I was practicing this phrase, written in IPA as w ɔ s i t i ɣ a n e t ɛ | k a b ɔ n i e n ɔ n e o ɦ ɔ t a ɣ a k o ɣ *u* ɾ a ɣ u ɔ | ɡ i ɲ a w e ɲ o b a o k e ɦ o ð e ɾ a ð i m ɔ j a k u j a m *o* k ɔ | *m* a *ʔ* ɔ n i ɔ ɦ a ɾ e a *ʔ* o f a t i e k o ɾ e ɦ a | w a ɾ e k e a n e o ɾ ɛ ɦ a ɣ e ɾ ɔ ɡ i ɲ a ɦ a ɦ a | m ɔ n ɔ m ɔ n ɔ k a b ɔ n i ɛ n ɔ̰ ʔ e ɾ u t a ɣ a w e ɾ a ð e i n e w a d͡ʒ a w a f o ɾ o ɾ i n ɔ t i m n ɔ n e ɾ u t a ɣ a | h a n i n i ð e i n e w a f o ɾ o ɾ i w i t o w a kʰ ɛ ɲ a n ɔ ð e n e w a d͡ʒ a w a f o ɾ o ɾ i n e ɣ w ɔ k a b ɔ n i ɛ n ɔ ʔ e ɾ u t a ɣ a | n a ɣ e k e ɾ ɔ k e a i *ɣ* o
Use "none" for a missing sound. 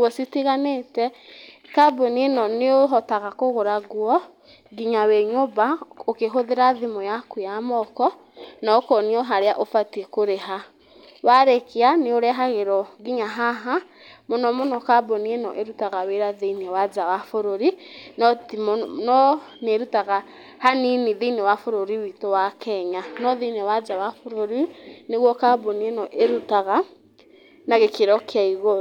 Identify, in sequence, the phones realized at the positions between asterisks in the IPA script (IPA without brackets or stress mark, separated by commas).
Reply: o, ɔ, n, k, ʔ, ɣ